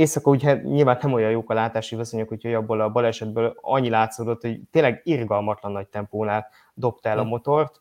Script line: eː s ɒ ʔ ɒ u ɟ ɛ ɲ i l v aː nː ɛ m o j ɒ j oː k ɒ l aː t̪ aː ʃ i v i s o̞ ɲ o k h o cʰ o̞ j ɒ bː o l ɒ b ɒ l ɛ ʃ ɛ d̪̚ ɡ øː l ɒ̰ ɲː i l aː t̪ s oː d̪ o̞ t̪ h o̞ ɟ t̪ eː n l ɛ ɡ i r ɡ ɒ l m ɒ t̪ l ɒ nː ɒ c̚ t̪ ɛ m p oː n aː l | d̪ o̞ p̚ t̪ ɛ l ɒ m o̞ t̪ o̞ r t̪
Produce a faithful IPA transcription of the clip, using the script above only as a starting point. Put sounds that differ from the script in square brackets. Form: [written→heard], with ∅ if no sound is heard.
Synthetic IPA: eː s ɒ [ʔ→k] ɒ u ɟ ɛ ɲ i l v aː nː ɛ m o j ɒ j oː k ɒ l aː t̪ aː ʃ i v i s o̞ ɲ o k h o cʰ o̞ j ɒ bː o l ɒ b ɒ l ɛ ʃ ɛ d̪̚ [ɡ→b] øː l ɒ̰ ɲː i l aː t̪ s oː d̪ o̞ t̪ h o̞ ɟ t̪ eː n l ɛ ɡ i r ɡ ɒ l m ɒ t̪ l ɒ nː ɒ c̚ t̪ ɛ m p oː n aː l | d̪ o̞ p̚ t̪ ɛ l ɒ m o̞ t̪ o̞ r t̪